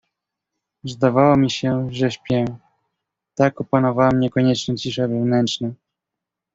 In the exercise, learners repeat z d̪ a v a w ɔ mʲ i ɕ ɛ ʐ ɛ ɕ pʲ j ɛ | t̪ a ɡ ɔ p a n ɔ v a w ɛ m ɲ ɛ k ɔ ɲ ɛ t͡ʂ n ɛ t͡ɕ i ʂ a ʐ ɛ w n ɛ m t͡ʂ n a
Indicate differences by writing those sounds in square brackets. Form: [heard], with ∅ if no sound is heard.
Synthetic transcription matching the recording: z d̪ a v a w ɔ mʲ i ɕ ɛ ʐ ɛ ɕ pʲ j ɛ | t̪ a [k] ɔ p a n ɔ v a w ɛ m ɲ ɛ k ɔ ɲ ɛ t͡ʂ n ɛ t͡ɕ i ʂ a [v] ɛ [v] n ɛ [n] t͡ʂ n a